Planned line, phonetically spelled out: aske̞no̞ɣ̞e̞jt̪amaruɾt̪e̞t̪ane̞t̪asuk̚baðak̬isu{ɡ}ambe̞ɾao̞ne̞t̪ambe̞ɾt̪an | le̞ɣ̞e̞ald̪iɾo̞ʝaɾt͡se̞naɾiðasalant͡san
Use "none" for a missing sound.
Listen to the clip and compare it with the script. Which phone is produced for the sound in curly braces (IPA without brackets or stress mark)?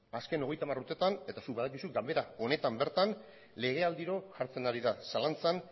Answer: ɡ